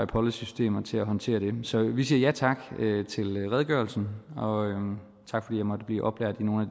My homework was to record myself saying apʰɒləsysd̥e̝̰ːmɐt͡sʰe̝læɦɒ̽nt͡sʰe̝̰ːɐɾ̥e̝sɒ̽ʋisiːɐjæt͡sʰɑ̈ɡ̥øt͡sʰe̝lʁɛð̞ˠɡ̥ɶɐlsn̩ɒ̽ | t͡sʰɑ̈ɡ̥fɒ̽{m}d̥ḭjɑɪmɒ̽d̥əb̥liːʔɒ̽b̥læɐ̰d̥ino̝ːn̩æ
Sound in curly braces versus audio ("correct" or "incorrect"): incorrect